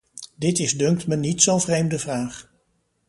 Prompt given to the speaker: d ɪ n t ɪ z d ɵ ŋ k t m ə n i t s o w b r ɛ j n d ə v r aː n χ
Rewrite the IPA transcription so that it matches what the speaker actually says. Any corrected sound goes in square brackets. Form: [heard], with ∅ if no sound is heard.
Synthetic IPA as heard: d ɪ [∅] t ɪ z d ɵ ŋ k t m ə n i t s o w [v] r [e] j [m] d ə v r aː [∅] χ